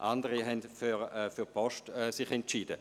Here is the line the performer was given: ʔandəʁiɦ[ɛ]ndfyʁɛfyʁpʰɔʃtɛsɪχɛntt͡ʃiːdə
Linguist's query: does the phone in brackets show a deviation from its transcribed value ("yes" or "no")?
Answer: no